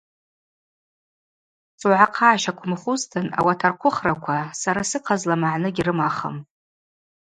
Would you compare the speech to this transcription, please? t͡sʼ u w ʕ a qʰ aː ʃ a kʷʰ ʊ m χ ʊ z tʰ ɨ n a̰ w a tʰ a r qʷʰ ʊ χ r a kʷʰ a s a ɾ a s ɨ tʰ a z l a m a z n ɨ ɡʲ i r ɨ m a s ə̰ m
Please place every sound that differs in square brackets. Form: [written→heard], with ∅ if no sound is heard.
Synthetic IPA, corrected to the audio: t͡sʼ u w ʕ a qʰ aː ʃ a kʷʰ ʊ m χ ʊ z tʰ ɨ n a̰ w a tʰ a r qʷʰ ʊ χ r a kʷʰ a s a ɾ a s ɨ [tʰ→qʰ] a z l a m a [z→ʕ] n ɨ ɡʲ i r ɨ m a [s→χ] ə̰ m